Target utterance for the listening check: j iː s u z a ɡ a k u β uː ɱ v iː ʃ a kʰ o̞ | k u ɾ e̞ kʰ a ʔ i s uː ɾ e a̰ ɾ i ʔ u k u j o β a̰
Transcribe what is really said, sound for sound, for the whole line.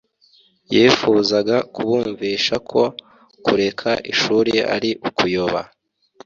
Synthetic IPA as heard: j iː f u z a ɡ a k u β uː ɱ v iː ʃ a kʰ o̞ | k u ɾ e̞ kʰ a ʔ i ʃ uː ɾ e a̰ ɾ i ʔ u k u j o β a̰